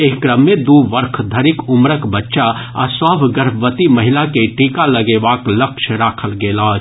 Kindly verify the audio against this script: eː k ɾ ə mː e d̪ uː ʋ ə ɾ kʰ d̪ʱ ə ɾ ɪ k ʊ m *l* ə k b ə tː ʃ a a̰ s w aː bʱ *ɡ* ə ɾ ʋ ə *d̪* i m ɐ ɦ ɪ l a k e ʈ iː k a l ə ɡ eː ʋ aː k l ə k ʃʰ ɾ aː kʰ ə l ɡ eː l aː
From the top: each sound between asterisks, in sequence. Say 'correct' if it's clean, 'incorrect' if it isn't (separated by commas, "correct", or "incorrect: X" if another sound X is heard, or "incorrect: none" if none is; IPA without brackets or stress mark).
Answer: incorrect: ɾ, correct, incorrect: t̪